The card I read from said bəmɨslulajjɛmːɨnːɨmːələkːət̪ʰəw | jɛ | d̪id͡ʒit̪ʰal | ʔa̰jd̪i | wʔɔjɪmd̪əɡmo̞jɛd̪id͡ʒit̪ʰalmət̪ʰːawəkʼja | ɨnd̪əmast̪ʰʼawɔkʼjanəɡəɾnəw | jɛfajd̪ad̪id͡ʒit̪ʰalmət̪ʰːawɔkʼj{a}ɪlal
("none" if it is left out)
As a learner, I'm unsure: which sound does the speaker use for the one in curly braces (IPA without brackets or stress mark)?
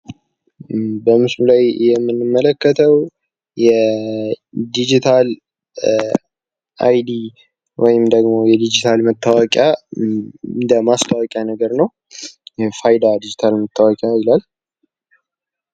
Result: a